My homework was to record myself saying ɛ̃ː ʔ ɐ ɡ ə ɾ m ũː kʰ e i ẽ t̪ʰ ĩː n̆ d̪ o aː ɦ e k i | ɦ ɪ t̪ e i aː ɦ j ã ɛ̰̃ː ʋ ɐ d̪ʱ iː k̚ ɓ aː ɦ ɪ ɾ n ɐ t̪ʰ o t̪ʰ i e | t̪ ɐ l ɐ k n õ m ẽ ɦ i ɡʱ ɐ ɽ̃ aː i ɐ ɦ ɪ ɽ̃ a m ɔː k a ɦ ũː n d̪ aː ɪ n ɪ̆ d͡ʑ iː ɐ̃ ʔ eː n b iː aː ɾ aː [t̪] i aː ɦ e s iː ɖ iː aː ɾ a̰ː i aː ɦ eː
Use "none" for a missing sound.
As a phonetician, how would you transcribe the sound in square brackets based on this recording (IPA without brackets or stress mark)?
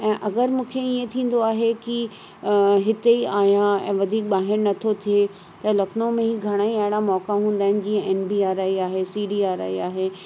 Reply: none